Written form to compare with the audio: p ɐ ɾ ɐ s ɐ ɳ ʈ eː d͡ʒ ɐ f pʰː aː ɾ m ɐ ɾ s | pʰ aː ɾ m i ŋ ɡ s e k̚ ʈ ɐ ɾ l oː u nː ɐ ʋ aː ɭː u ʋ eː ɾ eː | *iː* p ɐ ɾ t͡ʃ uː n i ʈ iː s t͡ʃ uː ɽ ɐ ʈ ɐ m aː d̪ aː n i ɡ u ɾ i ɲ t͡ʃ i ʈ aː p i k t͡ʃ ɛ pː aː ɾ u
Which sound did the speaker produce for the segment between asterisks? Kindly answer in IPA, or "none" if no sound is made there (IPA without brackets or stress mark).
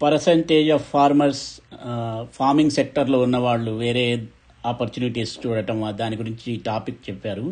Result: aː